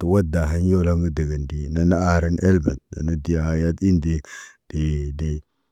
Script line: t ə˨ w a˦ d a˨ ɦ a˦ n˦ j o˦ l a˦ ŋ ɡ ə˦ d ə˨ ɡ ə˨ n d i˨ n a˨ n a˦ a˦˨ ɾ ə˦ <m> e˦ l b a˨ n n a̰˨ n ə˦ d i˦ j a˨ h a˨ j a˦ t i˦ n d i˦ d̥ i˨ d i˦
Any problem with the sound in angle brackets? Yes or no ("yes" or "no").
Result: yes